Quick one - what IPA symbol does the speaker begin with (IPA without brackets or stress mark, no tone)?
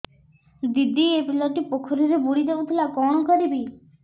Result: d̪